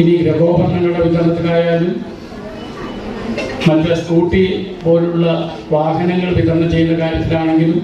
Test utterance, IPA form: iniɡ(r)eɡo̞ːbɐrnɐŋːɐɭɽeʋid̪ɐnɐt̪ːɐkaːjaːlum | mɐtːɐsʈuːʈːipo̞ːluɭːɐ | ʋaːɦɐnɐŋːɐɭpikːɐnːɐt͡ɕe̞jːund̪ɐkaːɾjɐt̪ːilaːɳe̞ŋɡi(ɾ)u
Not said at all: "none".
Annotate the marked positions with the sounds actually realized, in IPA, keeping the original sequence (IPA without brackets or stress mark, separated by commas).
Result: ɾ, l